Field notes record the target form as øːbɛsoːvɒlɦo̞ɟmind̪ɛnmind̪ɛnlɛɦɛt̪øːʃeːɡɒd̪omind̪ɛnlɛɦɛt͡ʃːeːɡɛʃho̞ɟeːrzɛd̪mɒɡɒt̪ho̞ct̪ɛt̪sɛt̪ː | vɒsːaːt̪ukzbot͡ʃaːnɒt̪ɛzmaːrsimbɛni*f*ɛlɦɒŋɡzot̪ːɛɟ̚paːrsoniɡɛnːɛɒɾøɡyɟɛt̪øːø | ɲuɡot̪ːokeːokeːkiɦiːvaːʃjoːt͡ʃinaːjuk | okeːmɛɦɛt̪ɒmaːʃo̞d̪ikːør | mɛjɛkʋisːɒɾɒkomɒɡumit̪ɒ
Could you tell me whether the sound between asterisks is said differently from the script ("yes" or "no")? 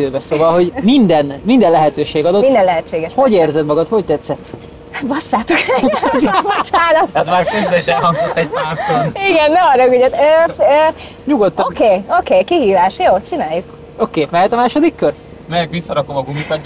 yes